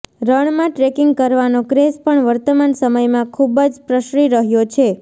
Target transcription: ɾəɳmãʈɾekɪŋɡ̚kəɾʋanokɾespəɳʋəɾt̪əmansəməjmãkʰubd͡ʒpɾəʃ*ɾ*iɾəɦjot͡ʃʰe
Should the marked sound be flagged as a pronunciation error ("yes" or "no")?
no